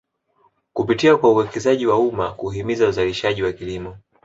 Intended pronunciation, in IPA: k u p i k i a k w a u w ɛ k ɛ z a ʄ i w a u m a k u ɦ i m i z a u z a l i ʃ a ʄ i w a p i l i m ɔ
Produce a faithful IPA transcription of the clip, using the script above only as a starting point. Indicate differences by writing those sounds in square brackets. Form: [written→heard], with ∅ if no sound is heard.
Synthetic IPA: k u p i [k→t] i a k w a u w ɛ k ɛ z a ʄ i w a u m a k u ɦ i m i z a u z a l i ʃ a ʄ i w a [p→k] i l i m ɔ